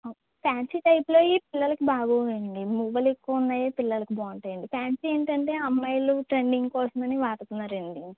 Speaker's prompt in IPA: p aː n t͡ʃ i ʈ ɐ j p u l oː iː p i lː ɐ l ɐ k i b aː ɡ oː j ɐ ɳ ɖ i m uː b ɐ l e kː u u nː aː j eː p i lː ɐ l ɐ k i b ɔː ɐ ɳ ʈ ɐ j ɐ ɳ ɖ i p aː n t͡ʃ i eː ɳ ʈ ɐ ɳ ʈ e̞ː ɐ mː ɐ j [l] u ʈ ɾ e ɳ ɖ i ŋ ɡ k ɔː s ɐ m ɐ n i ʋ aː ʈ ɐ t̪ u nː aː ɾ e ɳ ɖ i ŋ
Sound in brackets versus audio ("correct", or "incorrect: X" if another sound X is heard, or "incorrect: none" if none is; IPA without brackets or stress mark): correct